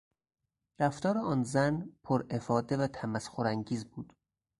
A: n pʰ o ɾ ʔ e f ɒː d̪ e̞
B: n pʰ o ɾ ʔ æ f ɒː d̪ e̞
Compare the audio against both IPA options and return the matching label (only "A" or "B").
A